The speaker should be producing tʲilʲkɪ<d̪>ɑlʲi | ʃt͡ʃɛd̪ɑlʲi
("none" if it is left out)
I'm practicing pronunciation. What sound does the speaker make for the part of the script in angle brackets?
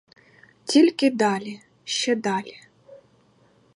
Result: d̪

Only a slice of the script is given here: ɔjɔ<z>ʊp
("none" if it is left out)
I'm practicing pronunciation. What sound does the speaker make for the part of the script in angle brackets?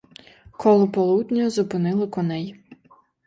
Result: z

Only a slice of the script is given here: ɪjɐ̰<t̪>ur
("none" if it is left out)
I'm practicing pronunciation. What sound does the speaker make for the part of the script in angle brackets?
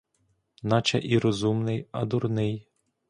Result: d̪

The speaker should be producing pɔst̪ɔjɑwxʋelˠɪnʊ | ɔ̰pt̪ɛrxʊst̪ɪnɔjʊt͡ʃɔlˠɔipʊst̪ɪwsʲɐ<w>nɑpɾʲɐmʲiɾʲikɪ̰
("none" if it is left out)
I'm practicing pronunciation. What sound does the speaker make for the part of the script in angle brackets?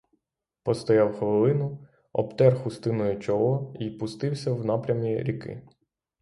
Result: w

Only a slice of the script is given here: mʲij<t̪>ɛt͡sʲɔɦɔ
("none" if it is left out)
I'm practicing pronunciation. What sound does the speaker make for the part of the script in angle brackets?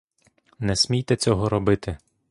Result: t̪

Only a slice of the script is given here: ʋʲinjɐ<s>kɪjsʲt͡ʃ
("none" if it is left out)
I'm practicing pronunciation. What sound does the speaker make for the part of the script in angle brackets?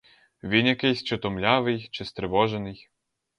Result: none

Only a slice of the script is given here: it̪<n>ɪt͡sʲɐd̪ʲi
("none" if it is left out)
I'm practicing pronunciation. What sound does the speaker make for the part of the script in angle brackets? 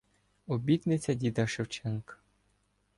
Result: n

